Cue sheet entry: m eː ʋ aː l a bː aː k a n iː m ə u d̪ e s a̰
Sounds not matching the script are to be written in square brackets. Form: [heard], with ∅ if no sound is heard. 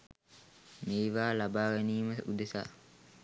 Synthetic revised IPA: m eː ʋ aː l a [b] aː [ɡ] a n iː m ə u d̪ e s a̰